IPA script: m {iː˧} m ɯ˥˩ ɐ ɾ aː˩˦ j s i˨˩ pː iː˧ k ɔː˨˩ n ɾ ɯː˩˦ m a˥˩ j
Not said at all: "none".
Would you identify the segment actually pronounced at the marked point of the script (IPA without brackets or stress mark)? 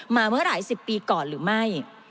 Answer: aː˧